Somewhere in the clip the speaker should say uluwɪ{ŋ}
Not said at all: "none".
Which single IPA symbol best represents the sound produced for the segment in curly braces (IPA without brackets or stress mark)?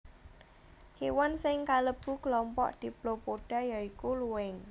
ŋ